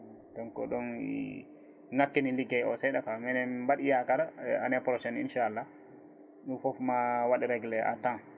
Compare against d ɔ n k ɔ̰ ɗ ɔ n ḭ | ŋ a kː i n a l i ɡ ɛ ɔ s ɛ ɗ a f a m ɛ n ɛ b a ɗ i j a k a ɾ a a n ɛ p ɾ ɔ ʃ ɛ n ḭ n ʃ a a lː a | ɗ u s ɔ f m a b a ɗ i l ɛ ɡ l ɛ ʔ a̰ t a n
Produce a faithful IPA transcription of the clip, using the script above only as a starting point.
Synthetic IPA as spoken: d ɔ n k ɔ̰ ɗ ɔ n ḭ | ŋ a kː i n i l i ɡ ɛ ɔ s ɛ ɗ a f a m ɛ n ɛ b a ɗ i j a k a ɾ a a n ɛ p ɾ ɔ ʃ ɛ n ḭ n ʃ a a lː a | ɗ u f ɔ f m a w a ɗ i ɾ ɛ ɡ l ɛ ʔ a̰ t a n